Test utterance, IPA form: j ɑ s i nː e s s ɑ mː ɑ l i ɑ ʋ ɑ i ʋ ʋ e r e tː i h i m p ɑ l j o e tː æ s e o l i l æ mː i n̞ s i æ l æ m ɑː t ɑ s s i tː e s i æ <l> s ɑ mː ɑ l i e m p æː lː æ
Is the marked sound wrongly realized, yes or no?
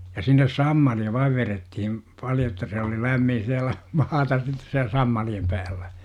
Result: no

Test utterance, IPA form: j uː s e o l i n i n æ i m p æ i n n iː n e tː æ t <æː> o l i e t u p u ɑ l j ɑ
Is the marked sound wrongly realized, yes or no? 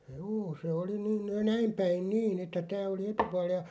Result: no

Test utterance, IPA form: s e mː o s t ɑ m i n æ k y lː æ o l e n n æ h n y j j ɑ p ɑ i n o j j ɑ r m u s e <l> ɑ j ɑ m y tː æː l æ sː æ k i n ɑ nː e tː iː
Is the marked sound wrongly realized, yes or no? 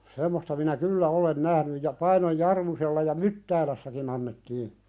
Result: yes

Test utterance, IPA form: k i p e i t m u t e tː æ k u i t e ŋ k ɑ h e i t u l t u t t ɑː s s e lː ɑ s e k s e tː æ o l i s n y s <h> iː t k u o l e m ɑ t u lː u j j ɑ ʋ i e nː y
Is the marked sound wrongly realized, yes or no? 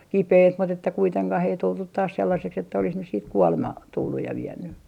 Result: yes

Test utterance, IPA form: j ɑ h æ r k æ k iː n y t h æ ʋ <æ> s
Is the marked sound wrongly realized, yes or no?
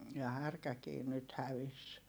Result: yes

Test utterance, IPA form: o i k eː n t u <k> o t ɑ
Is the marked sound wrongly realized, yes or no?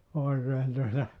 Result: yes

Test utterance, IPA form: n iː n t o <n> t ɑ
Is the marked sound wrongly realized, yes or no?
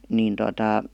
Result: yes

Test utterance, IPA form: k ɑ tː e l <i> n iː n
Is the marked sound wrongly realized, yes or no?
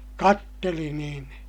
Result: no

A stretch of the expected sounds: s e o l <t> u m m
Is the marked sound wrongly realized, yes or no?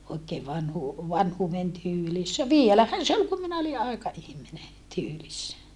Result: yes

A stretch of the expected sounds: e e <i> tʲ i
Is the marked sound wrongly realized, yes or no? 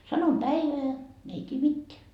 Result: no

